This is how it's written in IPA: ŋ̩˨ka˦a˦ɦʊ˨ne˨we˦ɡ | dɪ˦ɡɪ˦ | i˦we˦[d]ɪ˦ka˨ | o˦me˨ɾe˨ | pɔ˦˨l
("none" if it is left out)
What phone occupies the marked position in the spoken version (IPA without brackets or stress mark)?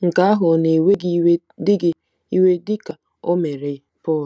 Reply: d